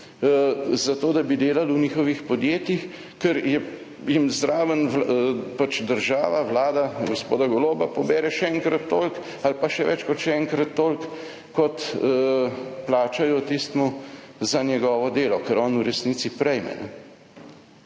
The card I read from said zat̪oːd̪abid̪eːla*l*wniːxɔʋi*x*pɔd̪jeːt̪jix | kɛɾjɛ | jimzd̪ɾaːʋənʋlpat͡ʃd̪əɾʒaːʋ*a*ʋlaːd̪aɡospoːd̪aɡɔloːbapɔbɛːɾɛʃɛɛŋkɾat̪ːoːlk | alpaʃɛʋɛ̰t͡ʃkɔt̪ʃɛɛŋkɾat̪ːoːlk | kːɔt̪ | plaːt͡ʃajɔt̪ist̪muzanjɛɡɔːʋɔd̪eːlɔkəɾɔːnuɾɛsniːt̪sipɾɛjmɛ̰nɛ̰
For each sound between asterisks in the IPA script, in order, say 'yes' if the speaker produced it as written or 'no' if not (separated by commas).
yes, yes, yes